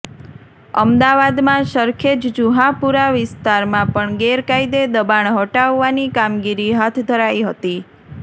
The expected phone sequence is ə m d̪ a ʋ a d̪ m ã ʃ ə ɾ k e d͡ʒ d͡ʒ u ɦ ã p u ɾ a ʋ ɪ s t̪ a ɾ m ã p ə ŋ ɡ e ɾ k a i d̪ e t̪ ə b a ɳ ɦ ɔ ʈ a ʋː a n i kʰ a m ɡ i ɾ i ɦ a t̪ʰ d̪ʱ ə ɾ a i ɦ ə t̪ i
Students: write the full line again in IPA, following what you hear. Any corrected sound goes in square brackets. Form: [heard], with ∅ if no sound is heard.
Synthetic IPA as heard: ə m d̪ a ʋ a d̪ m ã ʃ ə ɾ [kʰ] e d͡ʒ d͡ʒ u ɦ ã p u ɾ a ʋ ɪ s t̪ a ɾ m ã p ə [ɳ] ɡ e ɾ k a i d̪ e [d̪] ə b a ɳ ɦ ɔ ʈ a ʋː a n i [k] a m ɡ i ɾ i ɦ a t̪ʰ d̪ʱ ə ɾ a i ɦ ə t̪ i